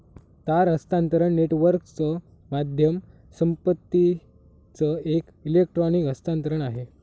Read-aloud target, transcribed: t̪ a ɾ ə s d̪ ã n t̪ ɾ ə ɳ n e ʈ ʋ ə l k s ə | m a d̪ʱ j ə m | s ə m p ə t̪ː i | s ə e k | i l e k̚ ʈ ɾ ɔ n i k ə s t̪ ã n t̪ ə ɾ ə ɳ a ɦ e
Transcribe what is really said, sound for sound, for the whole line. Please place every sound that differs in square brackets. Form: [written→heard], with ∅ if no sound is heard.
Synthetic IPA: t̪ a ɾ ə s [d̪→t̪] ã n t̪ ɾ ə ɳ n e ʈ ʋ ə [l→ɾ] k [s→t͡s] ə | m a d̪ʱ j ə m | s ə m p ə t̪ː i | [s→t͡s] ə e k | i l e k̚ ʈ ɾ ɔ n i k ə s t̪ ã n t̪ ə ɾ ə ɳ a ɦ e